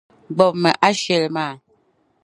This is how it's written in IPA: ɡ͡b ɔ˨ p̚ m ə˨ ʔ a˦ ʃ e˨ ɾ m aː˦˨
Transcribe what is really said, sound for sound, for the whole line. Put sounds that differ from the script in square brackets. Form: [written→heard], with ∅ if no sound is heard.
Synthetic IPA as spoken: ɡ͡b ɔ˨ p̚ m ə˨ ʔ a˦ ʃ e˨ [ɾ→l] m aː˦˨